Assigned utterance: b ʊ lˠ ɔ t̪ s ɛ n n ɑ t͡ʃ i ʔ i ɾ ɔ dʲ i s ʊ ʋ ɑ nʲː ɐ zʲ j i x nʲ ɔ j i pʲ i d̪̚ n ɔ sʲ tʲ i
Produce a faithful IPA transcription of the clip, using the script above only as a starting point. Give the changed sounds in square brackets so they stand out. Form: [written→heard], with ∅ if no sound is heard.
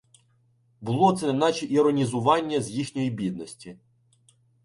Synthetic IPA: b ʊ lˠ ɔ t̪ s ɛ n n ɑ t͡ʃ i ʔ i ɾ ɔ [dʲ→nʲ] i [s→z] ʊ ʋ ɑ nʲː ɐ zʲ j i x nʲ ɔ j i [pʲ→bʲ] i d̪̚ n ɔ sʲ tʲ i